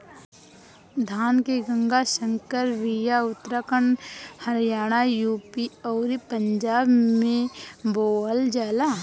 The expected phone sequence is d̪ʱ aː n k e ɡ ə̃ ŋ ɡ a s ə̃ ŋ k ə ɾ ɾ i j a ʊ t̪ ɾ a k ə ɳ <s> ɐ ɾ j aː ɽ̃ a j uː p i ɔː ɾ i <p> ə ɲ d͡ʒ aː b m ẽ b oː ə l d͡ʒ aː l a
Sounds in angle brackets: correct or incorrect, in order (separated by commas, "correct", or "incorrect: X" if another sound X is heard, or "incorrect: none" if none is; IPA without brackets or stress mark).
incorrect: h, correct